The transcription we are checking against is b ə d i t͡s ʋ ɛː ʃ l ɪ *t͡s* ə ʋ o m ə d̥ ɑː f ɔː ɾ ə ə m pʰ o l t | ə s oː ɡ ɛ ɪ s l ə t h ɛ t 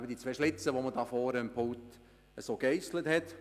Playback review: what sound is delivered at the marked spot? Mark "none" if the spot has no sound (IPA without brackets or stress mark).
t͡s